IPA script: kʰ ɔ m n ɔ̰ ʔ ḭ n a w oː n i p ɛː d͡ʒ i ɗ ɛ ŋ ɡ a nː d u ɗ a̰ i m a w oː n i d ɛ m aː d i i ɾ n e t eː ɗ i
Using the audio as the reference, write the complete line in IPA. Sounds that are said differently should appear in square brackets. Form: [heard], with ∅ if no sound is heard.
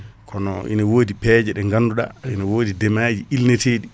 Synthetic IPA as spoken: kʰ ɔ [∅] n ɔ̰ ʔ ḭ n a w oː [d] i p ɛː d͡ʒ [ɛ] ɗ ɛ ŋ ɡ a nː d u ɗ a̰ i [n] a w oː [d] i d ɛ m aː [d͡ʒ] i i [l] n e t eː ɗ i